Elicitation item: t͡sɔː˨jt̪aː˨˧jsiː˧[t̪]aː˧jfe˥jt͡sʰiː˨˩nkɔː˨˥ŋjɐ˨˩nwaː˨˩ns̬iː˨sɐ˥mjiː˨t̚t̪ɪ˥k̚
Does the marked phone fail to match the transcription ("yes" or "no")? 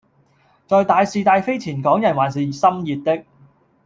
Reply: no